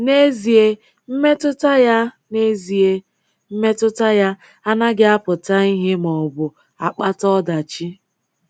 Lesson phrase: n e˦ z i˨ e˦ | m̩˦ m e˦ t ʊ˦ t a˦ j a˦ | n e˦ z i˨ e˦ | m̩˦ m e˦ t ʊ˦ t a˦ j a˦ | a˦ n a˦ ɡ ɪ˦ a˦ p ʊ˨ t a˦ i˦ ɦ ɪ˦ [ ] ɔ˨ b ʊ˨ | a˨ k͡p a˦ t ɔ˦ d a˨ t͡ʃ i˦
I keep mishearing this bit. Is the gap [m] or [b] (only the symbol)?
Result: m